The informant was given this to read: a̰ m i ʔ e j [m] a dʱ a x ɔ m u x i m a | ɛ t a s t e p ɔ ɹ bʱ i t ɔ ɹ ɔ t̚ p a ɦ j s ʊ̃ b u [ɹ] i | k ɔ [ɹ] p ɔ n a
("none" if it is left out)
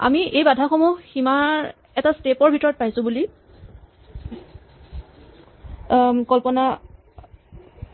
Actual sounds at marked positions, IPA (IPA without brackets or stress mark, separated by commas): b, l, l